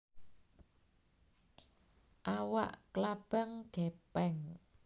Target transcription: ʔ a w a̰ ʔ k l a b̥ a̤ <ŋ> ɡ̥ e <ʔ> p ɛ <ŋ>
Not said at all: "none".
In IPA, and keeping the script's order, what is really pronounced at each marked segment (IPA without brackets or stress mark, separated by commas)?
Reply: ŋ, none, ŋ